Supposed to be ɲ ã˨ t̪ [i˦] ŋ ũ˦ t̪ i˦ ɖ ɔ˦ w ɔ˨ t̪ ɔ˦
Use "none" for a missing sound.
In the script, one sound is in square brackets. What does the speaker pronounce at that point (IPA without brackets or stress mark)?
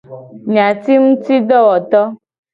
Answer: i˦